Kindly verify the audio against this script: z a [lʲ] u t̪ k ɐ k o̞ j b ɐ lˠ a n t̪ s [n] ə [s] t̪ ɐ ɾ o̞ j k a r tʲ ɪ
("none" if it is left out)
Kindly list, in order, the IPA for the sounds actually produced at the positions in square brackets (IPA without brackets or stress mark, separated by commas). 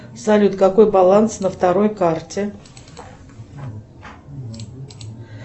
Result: lʲ, n, f